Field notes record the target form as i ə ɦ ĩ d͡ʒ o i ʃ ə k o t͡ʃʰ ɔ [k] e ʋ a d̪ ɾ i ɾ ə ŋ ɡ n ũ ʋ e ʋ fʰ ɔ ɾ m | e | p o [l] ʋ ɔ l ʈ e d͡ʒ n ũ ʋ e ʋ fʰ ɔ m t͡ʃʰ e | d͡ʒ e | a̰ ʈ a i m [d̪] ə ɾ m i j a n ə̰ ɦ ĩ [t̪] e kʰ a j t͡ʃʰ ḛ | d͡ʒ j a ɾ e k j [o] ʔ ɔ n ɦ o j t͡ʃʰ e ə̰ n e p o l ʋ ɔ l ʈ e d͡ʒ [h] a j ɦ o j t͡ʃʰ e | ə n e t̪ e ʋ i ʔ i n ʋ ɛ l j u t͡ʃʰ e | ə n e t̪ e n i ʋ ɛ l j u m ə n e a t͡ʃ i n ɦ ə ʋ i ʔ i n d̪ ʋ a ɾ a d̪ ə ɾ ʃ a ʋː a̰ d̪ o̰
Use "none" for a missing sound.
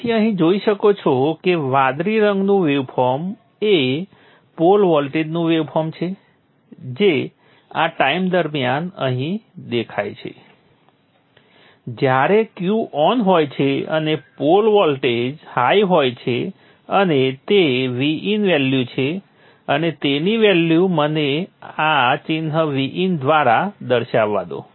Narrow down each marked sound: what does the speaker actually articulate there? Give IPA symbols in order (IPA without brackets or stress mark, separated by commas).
k, l, d̪, d̪, u, h